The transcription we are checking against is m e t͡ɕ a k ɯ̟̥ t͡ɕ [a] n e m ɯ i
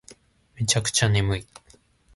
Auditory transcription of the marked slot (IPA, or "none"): a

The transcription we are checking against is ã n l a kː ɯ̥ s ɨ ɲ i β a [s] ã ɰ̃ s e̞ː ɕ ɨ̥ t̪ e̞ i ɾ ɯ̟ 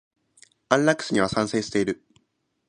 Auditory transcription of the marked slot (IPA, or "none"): s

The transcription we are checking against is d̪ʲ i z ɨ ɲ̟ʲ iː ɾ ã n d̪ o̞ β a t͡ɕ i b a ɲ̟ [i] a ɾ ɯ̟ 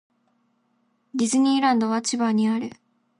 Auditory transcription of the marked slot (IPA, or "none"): i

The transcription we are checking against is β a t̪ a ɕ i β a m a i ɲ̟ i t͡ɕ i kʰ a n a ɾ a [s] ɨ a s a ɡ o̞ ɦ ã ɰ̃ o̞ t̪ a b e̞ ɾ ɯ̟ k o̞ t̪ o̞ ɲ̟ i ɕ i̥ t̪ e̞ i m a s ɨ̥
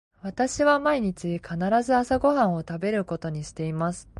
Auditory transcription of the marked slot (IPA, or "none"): z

